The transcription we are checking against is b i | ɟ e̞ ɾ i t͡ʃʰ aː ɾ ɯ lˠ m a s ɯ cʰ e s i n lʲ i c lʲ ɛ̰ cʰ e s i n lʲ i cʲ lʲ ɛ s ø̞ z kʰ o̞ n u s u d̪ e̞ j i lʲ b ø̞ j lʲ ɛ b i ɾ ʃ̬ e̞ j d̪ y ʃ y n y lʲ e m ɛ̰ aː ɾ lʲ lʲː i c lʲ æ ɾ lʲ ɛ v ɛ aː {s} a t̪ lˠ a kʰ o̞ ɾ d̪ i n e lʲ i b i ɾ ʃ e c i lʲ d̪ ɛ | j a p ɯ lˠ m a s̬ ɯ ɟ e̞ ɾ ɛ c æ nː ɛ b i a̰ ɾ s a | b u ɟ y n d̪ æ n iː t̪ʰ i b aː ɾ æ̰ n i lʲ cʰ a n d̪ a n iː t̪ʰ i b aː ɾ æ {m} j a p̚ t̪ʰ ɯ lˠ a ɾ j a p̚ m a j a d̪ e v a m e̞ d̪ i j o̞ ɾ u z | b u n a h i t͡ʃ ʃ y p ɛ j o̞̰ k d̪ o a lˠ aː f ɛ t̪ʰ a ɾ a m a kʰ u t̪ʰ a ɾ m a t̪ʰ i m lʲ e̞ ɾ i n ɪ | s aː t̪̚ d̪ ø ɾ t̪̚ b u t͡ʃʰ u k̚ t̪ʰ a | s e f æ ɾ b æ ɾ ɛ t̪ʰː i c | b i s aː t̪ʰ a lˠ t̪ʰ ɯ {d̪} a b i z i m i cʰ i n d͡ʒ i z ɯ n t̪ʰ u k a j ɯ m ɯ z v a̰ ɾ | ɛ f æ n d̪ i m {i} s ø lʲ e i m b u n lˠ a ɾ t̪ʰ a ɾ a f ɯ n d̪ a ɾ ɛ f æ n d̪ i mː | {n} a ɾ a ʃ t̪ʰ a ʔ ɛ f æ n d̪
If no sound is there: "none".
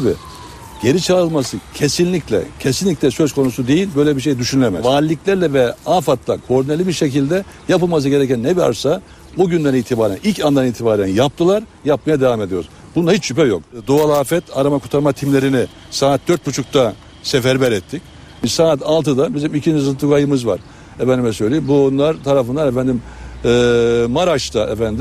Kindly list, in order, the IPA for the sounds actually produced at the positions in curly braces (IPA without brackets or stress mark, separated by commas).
f, n, d̪, ɛ, m